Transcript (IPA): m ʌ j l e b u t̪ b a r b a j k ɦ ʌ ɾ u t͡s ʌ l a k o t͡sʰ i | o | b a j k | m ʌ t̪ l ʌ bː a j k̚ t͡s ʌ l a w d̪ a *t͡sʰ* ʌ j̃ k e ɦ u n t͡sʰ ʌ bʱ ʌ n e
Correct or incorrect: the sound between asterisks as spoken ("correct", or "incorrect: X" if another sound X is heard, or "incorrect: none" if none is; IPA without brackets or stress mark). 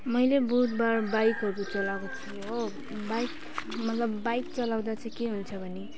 incorrect: t͡s